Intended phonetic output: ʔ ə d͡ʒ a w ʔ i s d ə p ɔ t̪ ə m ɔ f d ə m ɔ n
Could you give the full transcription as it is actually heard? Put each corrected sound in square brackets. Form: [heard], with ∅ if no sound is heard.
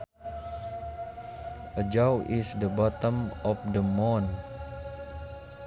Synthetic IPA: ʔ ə d͡ʒ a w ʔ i s d ə [b] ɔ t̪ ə m ɔ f d ə m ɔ n